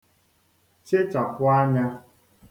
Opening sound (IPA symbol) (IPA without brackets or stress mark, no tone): t͡ʃ